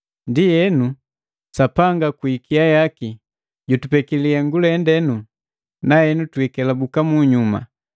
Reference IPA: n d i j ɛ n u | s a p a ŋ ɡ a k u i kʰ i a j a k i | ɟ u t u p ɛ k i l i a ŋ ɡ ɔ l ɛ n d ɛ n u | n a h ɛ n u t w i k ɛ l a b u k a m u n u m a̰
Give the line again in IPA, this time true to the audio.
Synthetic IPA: n d i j ɛ n u | s a p a ŋ ɡ a k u i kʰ i a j a k i | ɟ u t u p ɛ k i l i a ŋ ɡ u l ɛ n d ɛ n u | n a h ɛ n u t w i k ɛ l a b u k a m u ɲ u m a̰